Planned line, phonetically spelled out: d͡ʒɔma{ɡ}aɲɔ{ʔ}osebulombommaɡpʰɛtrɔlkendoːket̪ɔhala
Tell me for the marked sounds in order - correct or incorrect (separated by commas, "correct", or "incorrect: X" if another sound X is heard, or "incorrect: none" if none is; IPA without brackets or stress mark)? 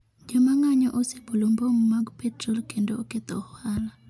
incorrect: ŋ, correct